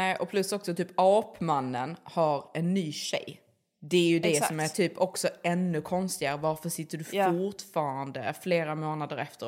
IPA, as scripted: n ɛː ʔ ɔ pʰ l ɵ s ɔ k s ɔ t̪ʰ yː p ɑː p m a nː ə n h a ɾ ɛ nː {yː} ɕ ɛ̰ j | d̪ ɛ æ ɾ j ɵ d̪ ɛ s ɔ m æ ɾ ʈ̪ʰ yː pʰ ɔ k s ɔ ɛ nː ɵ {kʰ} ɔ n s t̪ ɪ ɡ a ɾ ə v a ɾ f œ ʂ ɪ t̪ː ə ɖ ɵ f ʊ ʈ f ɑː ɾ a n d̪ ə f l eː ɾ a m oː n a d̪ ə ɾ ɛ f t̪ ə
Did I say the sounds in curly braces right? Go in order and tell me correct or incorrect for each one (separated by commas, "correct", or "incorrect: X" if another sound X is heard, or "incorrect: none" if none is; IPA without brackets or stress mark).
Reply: correct, correct